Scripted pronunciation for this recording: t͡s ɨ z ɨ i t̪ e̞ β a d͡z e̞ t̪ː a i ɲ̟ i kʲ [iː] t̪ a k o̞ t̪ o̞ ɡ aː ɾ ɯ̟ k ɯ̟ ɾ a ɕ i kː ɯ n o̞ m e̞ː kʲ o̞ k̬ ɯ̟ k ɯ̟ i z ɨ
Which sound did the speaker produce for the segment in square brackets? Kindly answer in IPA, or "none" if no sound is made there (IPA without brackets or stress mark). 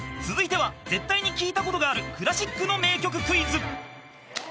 iː